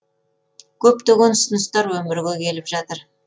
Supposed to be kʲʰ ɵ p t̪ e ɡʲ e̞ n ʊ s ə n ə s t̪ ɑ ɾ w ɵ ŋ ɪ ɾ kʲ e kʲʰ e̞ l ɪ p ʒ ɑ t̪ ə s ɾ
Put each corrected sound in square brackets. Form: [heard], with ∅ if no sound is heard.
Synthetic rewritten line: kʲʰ ɵ p t̪ e ɡʲ e̞ n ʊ s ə n ə s t̪ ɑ ɾ w ɵ [m] ɪ ɾ [ɡʲ] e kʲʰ e̞ l ɪ p ʒ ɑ t̪ ə [∅] ɾ

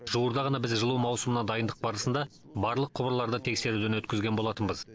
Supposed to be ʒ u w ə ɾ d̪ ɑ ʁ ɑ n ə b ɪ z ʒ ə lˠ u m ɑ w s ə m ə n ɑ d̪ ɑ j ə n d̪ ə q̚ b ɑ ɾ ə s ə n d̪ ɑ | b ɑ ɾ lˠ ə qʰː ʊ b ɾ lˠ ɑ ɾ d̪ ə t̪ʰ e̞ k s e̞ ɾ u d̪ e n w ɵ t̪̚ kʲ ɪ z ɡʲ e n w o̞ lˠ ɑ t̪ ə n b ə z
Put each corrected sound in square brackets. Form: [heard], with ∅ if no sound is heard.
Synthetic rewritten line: ʒ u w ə ɾ d̪ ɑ ʁ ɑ n [ɑ] b ɪ z ʒ ə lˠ u m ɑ w s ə m ə n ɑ d̪ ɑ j ə n d̪ ə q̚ b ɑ ɾ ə s ə n d̪ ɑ | b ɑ ɾ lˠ ə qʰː ʊ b ɾ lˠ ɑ ɾ d̪ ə t̪ʰ e̞ k s e̞ ɾ u d̪ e n w ɵ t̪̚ kʲ ɪ z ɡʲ e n [b] o̞ lˠ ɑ t̪ ə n b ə z

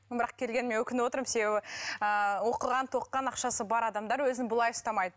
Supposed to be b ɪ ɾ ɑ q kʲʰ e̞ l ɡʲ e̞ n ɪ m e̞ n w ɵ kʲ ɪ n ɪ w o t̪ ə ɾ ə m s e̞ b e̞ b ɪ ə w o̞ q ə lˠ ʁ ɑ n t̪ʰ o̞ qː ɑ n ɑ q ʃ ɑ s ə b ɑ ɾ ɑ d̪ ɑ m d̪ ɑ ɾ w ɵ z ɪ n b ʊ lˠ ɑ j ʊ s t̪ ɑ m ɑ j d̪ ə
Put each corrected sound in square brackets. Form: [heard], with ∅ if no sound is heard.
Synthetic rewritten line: b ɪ ɾ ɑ q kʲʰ e̞ l ɡʲ e̞ n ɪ m e̞ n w ɵ kʲ ɪ n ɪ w o t̪ ə ɾ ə m s e̞ b e̞ b ɪ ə w o̞ q ə lˠ ʁ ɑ n t̪ʰ o̞ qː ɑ n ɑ q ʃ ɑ s ə b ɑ ɾ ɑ d̪ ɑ m d̪ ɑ ɾ w ɵ z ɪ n b ʊ lˠ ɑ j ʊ s t̪ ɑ m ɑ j d̪ ə

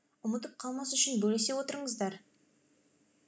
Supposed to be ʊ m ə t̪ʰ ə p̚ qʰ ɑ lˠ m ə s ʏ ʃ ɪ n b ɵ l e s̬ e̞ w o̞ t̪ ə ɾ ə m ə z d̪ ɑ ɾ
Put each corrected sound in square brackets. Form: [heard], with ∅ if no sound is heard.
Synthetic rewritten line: ʊ m ə [t̪] ə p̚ qʰ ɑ lˠ m [ɑ] s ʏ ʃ ɪ n b ɵ l e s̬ e̞ w o̞ t̪ ə ɾ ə [ɴ] ə z d̪ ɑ ɾ

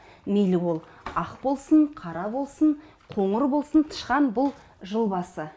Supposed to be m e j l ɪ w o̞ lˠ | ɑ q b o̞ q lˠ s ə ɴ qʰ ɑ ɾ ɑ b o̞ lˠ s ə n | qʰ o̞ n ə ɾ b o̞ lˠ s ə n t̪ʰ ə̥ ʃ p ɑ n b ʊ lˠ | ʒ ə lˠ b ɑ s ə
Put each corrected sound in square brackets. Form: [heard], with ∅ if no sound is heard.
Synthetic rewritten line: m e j l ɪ w o̞ lˠ | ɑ q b o̞ [∅] lˠ s ə ɴ qʰ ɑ ɾ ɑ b o̞ lˠ s ə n | qʰ o̞ [ɴ] ə ɾ b o̞ lˠ s ə n t̪ʰ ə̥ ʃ [q] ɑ n b ʊ lˠ | ʒ ə lˠ b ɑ s ə

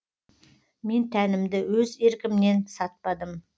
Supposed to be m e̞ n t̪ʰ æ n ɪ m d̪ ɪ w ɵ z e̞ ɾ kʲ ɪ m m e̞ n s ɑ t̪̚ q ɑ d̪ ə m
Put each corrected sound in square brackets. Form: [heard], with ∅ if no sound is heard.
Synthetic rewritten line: m e̞ n t̪ʰ æ n ɪ m d̪ ɪ w ɵ z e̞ ɾ kʲ ɪ m [n] e̞ n s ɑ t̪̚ [p] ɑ d̪ ə m

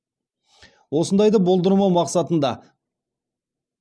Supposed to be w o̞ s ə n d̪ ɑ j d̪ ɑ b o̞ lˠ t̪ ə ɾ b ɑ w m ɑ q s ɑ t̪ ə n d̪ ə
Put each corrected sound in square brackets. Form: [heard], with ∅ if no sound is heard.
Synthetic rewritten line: w o̞ s ə n d̪ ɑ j d̪ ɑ b o̞ lˠ [d̪] ə ɾ [m] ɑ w m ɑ q s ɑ t̪ ə n d̪ [ɑ]

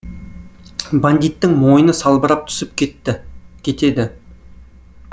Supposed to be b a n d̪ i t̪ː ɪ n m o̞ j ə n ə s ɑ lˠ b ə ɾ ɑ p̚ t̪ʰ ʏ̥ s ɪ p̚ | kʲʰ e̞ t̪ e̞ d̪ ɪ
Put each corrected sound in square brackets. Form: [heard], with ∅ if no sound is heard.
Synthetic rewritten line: b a n d̪ i t̪ː ɪ [ŋ] m o̞ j ə n ə s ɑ lˠ b ə ɾ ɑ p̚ t̪ʰ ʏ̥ s ɪ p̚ | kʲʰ e̞ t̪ e̞ d̪ ɪ

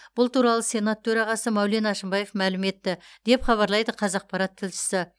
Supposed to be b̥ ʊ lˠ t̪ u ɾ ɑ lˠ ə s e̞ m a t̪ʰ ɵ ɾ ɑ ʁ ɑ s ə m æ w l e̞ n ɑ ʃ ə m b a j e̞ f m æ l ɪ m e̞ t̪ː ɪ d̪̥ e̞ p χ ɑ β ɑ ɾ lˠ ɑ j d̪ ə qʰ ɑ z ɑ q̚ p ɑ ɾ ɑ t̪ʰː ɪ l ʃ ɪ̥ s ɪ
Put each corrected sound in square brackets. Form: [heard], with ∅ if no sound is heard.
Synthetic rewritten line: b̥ ʊ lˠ t̪ u ɾ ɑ lˠ ə s e̞ [n] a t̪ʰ ɵ ɾ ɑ ʁ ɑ s ə m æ w l e̞ n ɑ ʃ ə m b [ɑ] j e̞ f m æ l ɪ m e̞ t̪ː ɪ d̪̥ e̞ p χ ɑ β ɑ ɾ lˠ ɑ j d̪ ə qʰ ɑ z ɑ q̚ p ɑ ɾ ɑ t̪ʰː ɪ l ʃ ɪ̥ s ɪ

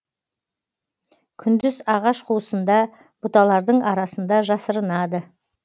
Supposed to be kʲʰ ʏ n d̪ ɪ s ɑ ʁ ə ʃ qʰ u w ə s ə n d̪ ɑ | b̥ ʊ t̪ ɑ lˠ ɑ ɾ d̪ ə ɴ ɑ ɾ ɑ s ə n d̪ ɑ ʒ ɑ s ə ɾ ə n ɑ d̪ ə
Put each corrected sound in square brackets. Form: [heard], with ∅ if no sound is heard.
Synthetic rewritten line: kʲʰ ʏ n d̪ ɪ [z] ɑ ʁ [ɑ] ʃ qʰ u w ə s ə n d̪ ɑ | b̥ ʊ t̪ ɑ lˠ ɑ ɾ d̪ ə ɴ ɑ ɾ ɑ s ə n d̪ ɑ ʒ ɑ s ə ɾ ə n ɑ d̪ ə

